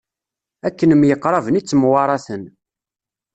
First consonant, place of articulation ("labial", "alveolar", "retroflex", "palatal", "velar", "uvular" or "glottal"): velar